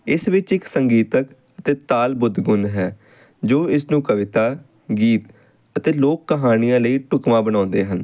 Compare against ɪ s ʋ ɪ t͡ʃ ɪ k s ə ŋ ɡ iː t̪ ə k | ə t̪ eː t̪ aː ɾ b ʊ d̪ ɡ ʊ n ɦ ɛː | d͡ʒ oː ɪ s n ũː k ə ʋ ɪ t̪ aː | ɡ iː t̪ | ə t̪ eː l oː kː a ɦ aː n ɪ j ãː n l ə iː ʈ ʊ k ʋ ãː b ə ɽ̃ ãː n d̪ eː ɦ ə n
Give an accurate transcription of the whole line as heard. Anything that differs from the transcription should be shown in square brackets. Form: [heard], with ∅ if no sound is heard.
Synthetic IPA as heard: ɪ s ʋ ɪ t͡ʃ ɪ k s ə ŋ ɡ iː t̪ ə k | ə t̪ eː t̪ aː [l] b ʊ d̪ ɡ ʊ n ɦ ɛː | d͡ʒ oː ɪ s n ũː k ə ʋ ɪ t̪ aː | ɡ iː t̪ | ə t̪ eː l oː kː [ə] ɦ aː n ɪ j ãː [∅] l ə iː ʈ ʊ k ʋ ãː b ə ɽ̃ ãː n d̪ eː ɦ ə n

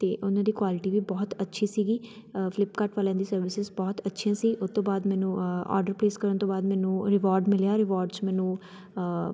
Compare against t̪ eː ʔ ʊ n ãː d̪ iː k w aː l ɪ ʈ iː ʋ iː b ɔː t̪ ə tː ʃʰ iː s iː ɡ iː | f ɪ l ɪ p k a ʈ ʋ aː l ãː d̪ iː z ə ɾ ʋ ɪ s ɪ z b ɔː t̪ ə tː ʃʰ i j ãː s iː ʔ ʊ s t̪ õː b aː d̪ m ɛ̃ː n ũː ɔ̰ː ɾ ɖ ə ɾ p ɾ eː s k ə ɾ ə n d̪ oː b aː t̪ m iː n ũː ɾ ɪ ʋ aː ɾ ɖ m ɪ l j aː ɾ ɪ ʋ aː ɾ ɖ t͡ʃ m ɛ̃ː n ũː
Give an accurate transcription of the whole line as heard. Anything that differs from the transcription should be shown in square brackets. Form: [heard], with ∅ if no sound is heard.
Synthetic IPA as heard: t̪ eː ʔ ʊ n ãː d̪ iː k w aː l ɪ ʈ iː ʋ iː b ɔː t̪ ə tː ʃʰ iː s iː ɡ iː | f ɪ l ɪ p k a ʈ ʋ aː l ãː d̪ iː [s] ə ɾ ʋ ɪ s ɪ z b ɔː t̪ ə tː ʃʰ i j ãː s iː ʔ ʊ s t̪ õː b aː d̪ m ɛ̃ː n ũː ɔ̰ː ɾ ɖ ə ɾ p ɾ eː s k ə ɾ ə n [t̪] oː b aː [d̪] m [ɛː] n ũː ɾ ɪ ʋ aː ɾ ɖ m ɪ l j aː ɾ ɪ ʋ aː ɾ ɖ t͡ʃ m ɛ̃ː n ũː

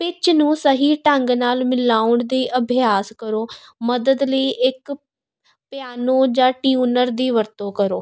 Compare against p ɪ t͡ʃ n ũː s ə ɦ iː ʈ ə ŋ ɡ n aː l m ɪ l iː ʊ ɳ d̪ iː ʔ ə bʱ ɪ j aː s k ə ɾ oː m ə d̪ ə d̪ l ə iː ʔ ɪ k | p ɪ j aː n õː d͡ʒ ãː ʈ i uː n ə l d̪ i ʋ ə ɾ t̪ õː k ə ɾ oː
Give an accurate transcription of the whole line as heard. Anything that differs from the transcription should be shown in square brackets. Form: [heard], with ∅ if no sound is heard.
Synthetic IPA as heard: p ɪ t͡ʃ n ũː s ə ɦ iː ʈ ə ŋ ɡ n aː l m ɪ l [aː] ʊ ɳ d̪ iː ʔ ə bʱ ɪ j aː s k ə ɾ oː m ə d̪ ə d̪ l ə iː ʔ ɪ k | p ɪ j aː n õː d͡ʒ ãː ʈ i uː n ə [ɾ] d̪ [iː] ʋ ə ɾ t̪ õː k ə ɾ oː

